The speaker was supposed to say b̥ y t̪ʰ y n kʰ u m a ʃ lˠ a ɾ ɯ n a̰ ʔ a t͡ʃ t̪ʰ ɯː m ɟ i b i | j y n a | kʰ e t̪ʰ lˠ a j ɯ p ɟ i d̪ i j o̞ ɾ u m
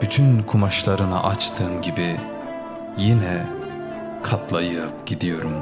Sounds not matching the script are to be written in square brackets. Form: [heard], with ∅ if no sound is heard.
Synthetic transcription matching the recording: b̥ y t̪ʰ y n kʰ u m a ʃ lˠ a ɾ ɯ n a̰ ʔ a t͡ʃ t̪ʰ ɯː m ɟ i b i | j [i] n [ɛ] | kʰ [a] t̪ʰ lˠ a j ɯ p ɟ i d̪ i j o̞ ɾ u m